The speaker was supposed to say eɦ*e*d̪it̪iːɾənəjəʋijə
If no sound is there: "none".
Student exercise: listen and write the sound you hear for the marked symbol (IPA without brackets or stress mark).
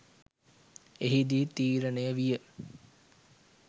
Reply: i